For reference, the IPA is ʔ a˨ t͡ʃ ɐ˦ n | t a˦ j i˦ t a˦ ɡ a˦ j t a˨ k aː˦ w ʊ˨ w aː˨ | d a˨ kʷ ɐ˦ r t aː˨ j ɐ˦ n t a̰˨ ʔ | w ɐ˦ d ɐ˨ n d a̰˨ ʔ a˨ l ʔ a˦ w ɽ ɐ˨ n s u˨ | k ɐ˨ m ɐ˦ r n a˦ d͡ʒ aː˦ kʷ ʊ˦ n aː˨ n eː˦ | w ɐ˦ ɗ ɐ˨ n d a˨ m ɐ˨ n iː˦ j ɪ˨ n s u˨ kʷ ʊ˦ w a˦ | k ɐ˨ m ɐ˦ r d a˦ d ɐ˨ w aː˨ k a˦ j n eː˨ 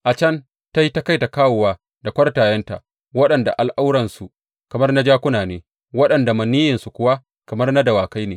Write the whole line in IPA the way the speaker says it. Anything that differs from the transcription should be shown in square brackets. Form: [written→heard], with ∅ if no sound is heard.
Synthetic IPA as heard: ʔ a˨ t͡ʃ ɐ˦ n | t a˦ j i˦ t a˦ [ɡ→k] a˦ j t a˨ k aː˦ w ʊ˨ w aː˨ | d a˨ kʷ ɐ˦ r t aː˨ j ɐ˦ n t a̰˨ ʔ | w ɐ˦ [d→ɗ] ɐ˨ n d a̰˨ ʔ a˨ l ʔ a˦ w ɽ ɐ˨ n s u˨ | k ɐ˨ m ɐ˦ r n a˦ d͡ʒ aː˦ kʷ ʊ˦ n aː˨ n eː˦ | w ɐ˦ ɗ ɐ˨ n d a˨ m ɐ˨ n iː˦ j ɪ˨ n s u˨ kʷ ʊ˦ w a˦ | k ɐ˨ m ɐ˦ r [d→n] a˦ d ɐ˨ w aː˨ k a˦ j n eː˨